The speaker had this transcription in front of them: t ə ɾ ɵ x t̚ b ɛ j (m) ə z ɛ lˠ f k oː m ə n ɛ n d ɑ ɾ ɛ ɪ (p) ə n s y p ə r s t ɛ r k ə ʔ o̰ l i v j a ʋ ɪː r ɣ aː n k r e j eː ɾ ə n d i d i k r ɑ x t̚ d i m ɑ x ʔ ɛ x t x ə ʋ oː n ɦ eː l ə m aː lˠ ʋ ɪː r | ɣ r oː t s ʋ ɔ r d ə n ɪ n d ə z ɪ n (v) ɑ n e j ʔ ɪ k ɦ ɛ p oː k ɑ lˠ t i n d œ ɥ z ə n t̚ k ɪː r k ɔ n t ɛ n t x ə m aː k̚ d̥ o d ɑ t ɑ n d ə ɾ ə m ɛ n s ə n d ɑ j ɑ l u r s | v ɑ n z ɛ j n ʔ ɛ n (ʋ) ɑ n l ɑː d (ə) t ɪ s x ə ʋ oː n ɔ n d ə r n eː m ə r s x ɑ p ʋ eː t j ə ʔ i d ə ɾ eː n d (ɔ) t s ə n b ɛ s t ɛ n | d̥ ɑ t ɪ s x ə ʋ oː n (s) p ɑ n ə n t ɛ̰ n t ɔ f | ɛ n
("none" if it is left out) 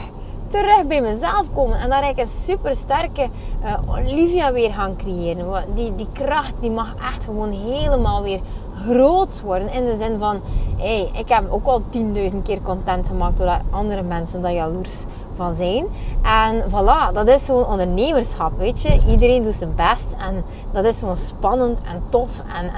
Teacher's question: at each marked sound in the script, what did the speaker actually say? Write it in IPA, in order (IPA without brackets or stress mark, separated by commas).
m, k, v, v, ɑ, u, s